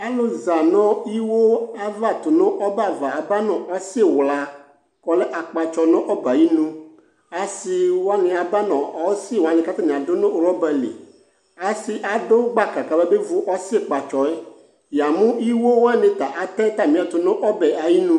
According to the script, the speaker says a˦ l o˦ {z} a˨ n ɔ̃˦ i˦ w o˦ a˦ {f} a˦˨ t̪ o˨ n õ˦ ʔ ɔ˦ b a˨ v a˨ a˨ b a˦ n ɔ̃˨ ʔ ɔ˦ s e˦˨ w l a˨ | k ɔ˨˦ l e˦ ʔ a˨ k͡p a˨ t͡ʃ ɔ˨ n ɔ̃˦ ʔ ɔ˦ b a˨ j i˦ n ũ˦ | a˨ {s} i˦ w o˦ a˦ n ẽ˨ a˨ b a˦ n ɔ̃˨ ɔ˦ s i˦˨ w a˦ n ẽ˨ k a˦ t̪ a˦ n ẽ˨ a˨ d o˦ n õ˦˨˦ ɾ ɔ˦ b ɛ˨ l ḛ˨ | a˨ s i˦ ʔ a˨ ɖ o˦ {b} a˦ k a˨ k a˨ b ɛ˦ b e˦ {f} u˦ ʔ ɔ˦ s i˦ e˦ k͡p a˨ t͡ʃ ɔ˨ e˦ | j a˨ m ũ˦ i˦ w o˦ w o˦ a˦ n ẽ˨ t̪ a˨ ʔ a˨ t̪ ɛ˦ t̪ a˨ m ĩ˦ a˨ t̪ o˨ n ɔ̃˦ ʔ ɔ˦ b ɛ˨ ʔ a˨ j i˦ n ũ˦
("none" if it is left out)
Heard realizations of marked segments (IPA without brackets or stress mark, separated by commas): z, v, s, ɡ͡b, v